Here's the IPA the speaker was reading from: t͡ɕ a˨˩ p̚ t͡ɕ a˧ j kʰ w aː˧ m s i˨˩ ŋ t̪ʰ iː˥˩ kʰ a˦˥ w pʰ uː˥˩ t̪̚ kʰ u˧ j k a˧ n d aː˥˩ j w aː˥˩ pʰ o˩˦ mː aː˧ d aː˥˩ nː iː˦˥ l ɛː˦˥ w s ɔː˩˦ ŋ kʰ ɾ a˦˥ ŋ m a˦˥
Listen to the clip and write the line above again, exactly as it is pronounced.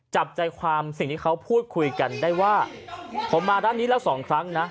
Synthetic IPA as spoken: t͡ɕ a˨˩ p̚ t͡ɕ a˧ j kʰ w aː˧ m s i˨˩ ŋ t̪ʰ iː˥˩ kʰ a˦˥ w pʰ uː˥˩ t̪̚ kʰ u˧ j k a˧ n d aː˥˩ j w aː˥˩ pʰ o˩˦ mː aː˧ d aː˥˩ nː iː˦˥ l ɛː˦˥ w s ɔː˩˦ ŋ kʰ ɾ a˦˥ ŋ n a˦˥